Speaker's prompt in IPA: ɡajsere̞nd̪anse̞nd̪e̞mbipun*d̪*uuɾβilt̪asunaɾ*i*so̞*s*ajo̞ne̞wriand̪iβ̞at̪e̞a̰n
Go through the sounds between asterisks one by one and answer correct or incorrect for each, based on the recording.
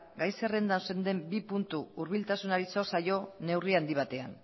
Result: incorrect, correct, correct

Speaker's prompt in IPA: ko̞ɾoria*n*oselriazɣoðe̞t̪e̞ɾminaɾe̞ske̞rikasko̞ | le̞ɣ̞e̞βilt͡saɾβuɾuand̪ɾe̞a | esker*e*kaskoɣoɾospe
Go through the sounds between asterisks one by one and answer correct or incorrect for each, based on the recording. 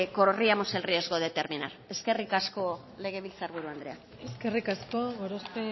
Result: incorrect, incorrect

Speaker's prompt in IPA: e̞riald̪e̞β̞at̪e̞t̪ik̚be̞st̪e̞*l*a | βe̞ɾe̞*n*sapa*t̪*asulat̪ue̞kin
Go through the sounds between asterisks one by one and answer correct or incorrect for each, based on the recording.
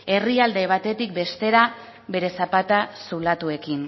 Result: incorrect, incorrect, correct

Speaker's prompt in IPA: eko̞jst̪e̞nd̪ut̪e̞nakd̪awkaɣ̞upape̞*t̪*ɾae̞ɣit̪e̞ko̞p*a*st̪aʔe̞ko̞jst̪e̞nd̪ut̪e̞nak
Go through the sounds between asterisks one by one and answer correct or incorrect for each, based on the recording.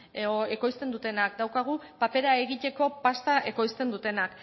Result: incorrect, correct

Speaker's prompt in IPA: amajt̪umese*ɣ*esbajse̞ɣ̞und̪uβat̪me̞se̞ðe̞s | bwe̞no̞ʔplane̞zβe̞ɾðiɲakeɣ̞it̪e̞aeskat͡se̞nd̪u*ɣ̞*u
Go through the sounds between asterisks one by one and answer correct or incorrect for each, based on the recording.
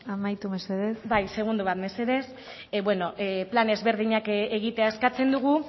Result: incorrect, correct

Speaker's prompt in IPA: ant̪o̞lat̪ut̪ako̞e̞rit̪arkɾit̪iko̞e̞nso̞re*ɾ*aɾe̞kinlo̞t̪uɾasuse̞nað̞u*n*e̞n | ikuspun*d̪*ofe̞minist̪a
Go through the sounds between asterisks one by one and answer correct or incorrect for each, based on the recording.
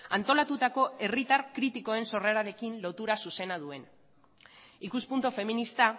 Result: correct, incorrect, incorrect

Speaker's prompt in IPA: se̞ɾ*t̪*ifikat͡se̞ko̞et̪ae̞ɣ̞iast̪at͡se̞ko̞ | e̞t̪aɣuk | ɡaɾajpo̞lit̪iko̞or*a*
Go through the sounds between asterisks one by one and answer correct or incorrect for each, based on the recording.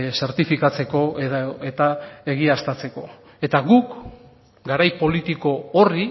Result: correct, incorrect

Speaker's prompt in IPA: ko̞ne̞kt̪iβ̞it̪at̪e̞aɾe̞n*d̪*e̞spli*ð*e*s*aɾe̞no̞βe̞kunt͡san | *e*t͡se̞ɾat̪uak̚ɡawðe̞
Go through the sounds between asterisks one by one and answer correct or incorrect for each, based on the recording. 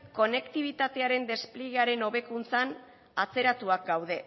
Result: correct, incorrect, incorrect, incorrect

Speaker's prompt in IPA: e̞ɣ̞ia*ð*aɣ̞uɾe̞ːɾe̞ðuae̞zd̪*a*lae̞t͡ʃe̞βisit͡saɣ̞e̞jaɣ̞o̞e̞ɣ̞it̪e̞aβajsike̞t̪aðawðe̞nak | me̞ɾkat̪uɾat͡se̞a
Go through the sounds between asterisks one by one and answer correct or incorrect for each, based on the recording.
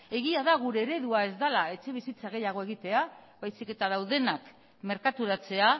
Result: correct, correct

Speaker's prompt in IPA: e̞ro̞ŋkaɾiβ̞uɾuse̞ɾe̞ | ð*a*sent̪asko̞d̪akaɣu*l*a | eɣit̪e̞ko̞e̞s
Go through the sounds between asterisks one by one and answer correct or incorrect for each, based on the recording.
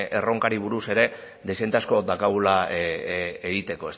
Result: incorrect, correct

